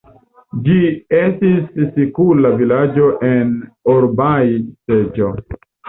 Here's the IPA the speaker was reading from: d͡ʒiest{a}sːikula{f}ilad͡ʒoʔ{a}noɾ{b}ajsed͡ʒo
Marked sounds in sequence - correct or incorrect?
incorrect: i, incorrect: v, incorrect: e, correct

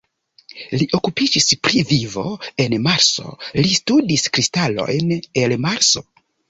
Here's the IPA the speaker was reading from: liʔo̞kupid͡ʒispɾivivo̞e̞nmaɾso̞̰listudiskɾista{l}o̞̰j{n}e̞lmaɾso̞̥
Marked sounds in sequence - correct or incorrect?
correct, correct

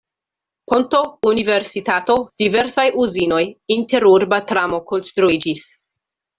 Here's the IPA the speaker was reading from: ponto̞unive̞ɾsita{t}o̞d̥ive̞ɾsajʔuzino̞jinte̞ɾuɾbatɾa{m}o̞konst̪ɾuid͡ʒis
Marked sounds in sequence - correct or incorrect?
correct, correct

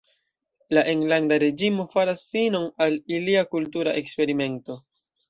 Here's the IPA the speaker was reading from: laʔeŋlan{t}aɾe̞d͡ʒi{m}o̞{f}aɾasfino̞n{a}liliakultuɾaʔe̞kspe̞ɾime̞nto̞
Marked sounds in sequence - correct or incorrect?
incorrect: d, correct, correct, correct

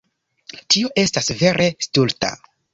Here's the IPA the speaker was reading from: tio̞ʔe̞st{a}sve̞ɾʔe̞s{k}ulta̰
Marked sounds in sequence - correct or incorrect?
correct, incorrect: t

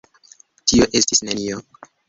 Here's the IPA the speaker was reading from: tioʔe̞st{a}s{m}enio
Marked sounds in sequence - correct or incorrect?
incorrect: i, incorrect: n

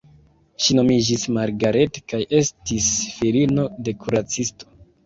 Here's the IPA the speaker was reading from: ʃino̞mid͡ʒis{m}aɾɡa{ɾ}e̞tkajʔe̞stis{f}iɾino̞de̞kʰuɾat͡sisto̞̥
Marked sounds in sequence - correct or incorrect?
correct, correct, correct

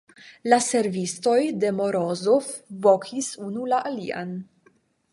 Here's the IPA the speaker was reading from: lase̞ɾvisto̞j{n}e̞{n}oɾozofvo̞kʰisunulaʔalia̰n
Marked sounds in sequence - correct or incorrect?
incorrect: d, incorrect: m

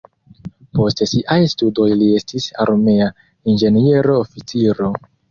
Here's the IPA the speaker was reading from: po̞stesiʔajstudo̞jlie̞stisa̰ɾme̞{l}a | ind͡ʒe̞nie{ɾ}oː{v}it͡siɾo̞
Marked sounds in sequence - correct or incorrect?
incorrect: none, correct, incorrect: f

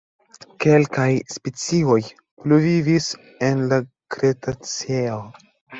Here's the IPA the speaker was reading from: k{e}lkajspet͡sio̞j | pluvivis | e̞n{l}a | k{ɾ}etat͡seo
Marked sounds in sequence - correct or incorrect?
correct, correct, correct

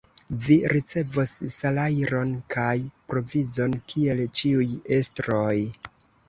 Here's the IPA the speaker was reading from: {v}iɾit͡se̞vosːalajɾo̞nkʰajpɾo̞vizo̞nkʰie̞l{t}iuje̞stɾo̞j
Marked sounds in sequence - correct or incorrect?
correct, incorrect: t͡ʃ

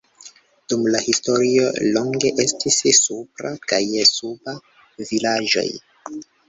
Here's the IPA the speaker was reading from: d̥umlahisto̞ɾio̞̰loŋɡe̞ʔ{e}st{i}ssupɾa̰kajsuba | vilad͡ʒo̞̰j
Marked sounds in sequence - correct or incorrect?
correct, correct

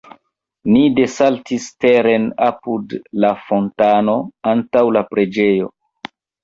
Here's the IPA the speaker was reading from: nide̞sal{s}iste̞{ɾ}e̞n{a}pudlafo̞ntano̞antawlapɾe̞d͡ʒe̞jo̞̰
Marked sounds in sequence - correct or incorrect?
incorrect: t, correct, correct

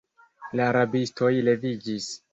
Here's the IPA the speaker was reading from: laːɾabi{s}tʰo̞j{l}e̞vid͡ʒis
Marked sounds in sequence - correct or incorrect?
correct, correct

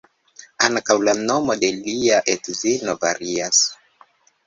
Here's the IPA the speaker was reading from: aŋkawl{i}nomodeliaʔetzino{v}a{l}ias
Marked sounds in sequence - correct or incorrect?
incorrect: a, correct, incorrect: ɾ

